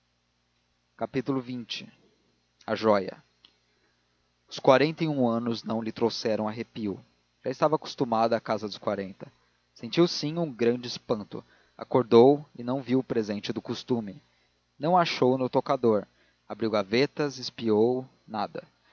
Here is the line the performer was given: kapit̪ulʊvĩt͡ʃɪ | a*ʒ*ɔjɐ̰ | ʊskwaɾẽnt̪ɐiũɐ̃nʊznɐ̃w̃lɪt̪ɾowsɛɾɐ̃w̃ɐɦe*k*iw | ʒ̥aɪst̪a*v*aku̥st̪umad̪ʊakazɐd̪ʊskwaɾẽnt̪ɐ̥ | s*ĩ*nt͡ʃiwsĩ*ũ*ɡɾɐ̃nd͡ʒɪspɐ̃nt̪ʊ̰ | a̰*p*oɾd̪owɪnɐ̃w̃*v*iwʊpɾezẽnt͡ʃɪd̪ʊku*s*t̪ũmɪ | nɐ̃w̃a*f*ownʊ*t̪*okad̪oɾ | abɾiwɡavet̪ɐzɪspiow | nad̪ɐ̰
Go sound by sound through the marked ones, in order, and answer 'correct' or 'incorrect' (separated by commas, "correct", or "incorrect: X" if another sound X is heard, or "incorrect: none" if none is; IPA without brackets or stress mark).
correct, incorrect: p, correct, incorrect: ẽ, correct, incorrect: k, correct, correct, incorrect: ʃ, correct